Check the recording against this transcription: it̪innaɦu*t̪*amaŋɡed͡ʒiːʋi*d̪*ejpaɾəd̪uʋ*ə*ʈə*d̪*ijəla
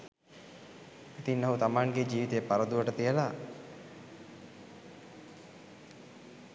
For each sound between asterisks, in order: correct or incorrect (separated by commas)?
correct, incorrect, correct, incorrect